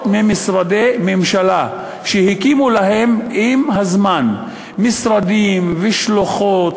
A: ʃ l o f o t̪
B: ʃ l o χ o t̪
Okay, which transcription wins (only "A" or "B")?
B